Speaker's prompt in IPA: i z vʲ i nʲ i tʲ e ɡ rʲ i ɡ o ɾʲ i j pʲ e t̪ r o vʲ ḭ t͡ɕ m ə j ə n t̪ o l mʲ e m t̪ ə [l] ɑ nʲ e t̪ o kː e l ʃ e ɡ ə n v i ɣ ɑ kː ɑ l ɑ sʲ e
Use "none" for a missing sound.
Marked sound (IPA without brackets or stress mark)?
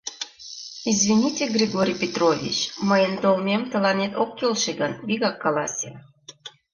l